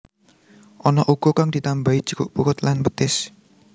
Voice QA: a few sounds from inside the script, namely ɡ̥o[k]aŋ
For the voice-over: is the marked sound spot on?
yes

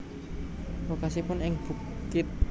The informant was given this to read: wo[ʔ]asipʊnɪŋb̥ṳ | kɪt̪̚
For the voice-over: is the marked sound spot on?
no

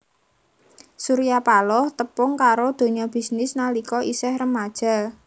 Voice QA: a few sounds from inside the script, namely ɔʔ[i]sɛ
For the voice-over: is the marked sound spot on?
yes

